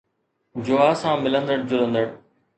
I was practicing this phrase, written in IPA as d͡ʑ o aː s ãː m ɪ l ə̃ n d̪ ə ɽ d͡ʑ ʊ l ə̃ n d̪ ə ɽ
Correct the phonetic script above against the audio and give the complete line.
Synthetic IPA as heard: d͡ʑ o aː s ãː m ɪ l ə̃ n d̪ ə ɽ d͡ʑ ʊ l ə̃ n d̪ ə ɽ